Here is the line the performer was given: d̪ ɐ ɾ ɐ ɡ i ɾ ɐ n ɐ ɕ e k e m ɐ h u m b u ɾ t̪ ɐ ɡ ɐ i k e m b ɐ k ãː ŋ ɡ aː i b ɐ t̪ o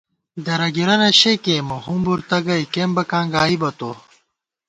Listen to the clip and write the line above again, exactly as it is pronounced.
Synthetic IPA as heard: d̪ ɐ ɾ ɐ ɡ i ɾ ɐ n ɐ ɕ e k e m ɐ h u m b u ɾ t̪ ɐ ɡ ɐ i k e m b ɐ k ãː ŋ ɡ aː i b ɐ t̪ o